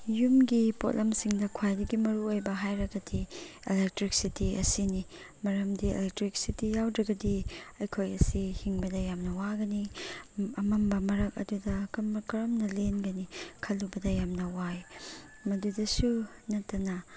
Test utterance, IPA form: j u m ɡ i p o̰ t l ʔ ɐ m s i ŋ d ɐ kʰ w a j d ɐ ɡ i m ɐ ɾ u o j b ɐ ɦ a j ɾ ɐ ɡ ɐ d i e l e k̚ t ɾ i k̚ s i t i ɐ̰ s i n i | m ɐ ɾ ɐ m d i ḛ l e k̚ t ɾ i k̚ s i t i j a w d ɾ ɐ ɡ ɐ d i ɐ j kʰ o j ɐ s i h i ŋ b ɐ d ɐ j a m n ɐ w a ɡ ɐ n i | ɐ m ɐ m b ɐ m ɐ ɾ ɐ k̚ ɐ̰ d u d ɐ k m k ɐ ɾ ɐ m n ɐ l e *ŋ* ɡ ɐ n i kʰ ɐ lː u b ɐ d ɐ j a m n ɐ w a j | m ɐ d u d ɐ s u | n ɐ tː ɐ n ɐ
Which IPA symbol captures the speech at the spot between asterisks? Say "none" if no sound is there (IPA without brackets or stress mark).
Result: n